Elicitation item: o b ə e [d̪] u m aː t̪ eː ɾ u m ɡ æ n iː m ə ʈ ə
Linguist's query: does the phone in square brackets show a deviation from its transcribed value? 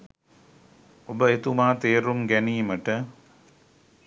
yes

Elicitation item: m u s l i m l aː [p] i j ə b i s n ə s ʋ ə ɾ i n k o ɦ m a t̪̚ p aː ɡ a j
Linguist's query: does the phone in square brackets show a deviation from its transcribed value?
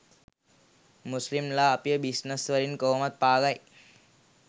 no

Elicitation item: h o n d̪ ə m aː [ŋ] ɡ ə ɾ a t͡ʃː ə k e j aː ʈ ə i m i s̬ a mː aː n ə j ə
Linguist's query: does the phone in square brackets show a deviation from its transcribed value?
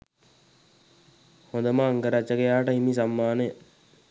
no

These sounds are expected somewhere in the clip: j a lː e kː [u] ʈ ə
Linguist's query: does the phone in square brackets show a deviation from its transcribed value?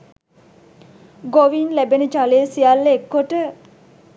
yes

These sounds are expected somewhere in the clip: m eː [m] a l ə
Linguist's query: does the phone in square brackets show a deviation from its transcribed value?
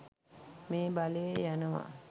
yes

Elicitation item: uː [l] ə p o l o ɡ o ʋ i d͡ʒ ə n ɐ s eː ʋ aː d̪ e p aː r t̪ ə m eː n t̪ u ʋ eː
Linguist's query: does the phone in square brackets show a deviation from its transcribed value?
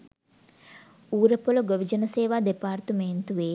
yes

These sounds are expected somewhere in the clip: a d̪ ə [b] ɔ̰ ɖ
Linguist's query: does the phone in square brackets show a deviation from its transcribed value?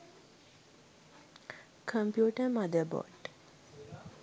no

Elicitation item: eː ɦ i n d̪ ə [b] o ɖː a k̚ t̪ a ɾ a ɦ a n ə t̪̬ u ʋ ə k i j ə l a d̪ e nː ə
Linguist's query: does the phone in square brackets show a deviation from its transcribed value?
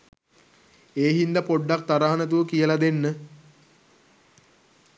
yes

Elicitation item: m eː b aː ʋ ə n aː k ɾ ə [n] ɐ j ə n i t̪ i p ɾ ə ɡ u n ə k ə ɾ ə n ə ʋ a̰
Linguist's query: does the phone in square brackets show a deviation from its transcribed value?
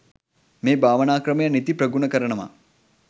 yes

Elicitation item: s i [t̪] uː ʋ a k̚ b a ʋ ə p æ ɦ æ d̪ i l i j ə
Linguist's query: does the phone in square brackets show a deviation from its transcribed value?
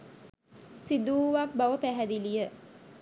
yes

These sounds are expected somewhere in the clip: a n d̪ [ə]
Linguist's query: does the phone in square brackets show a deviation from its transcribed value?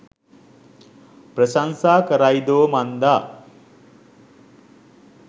yes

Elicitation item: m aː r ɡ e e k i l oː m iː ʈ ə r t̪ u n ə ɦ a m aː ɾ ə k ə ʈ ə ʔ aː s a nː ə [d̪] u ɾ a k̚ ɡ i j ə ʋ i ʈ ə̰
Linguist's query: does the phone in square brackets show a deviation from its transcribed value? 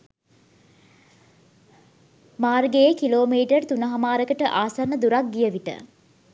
no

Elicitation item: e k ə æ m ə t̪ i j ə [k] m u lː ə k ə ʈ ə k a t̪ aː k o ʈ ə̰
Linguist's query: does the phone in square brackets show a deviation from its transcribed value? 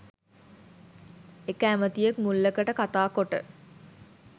no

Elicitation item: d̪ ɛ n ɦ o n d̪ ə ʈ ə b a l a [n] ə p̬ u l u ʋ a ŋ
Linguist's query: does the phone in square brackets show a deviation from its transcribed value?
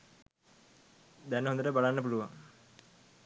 yes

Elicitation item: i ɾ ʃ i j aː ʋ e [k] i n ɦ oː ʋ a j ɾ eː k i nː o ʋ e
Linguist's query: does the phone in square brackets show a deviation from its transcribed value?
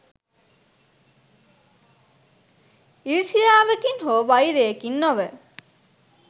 no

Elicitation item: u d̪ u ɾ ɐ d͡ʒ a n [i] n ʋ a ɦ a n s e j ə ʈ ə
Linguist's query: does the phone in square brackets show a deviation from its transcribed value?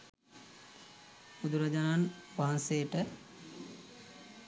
yes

